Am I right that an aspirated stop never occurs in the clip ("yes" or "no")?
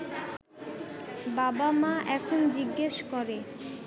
no